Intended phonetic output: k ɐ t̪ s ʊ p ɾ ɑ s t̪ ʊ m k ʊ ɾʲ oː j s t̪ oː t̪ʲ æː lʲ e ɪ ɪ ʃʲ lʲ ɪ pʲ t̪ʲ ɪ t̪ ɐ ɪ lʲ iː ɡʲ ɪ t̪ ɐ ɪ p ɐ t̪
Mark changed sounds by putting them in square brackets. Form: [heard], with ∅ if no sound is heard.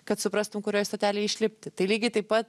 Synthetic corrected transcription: k ɐ t̪ s ʊ p ɾ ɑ s t̪ ʊ m k ʊ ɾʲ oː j s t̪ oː t̪ʲ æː lʲ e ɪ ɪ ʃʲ lʲ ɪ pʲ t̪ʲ ɪ t̪ ɐ ɪ lʲ iː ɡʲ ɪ t̪ ɐ ɪ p ɐ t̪